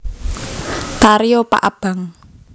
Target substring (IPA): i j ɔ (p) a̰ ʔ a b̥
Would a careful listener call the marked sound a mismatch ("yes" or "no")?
no